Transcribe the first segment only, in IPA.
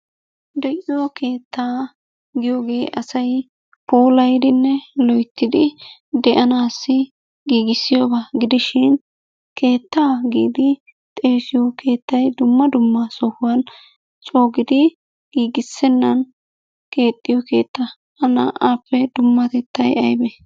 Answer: d̪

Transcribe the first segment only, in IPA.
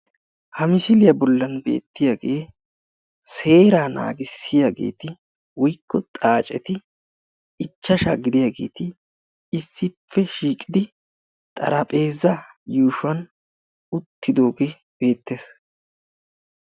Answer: h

